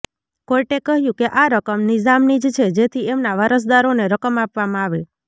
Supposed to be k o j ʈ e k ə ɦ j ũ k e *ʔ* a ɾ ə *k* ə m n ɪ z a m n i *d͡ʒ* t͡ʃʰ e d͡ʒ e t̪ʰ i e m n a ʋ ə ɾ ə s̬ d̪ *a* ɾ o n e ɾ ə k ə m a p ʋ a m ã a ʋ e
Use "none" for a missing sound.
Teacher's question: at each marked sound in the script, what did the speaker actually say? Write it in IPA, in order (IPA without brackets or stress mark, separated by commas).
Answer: ʔ, k, d͡ʒ, a